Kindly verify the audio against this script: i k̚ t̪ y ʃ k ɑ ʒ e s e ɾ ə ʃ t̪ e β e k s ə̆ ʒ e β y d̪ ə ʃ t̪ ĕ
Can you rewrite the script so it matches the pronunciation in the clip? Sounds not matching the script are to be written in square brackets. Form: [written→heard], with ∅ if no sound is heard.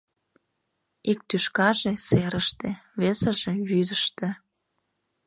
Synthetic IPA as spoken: i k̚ t̪ y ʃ k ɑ ʒ e s e ɾ ə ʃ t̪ e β e [k→∅] s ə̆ ʒ e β y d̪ ə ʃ t̪ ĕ